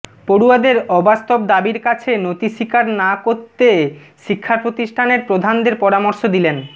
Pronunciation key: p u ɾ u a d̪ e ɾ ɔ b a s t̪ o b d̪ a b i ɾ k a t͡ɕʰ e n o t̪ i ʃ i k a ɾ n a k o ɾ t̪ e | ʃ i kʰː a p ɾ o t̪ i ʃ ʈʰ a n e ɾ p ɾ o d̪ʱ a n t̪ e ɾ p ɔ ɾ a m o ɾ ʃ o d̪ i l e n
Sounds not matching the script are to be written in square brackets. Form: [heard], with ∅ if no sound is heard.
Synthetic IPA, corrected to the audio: p [o] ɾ u a d̪ e ɾ ɔ b a s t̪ o b d̪ a b i ɾ k a t͡ɕʰ e n o t̪ i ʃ i k a ɾ n a k o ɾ t̪ e | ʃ i kʰː a p ɾ o t̪ i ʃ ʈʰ a n e ɾ p ɾ o d̪ʱ a n [d̪] e ɾ p ɔ ɾ a m o ɾ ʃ o d̪ i l e n